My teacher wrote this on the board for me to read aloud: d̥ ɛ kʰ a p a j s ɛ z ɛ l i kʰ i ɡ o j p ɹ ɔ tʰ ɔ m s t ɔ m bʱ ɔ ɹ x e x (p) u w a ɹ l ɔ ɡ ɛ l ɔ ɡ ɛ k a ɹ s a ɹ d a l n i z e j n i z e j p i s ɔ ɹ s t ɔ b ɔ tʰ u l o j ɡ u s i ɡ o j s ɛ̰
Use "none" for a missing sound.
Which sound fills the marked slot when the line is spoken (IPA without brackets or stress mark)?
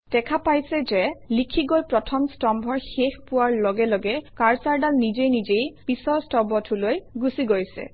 p